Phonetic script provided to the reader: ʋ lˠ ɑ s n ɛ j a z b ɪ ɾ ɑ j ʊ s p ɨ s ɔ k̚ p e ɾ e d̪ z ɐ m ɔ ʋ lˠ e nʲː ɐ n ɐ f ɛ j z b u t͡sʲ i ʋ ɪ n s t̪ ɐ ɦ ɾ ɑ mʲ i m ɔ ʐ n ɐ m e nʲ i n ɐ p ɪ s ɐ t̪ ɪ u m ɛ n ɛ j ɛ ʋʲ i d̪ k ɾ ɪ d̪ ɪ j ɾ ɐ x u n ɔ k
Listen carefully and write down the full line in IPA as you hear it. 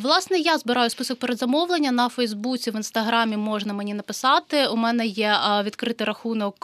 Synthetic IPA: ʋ lˠ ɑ s n ɛ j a z b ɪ ɾ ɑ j ʊ s p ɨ s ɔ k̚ p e ɾ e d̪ z ɐ m ɔ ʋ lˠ e nʲː ɐ n ɐ f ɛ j z b u t͡sʲ i ʋ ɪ n s t̪ ɐ ɦ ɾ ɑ mʲ i m ɔ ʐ n ɐ m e nʲ i n ɐ p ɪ s ɑ t̪ ɪ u m ɛ n ɛ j ɛ ʋʲ i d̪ k ɾ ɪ t̪ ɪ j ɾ ɐ x u n ɔ k